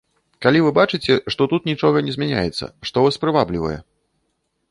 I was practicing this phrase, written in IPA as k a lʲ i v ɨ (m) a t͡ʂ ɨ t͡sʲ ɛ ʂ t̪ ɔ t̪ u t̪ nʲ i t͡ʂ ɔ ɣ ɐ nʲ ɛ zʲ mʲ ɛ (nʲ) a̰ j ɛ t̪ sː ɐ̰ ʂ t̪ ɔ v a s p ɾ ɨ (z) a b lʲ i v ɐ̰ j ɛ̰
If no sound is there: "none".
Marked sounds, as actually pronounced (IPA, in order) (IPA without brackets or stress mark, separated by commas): b, nʲ, v